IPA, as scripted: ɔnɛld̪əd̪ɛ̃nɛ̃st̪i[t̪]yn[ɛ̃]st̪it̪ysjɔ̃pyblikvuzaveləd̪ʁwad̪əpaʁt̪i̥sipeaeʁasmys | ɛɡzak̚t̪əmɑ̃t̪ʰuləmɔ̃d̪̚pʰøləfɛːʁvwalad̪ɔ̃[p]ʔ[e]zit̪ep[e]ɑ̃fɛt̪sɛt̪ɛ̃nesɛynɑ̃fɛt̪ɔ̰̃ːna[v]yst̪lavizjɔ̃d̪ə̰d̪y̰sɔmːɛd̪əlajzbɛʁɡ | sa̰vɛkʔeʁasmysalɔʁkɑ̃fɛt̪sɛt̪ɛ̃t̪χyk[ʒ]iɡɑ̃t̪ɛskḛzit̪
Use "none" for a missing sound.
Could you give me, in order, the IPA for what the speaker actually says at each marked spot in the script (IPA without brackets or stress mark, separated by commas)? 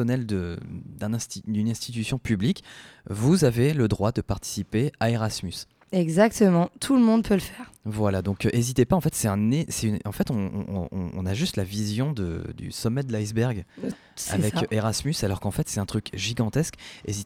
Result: d̪, ɛ̃, k, e, a, ʒ, ʒ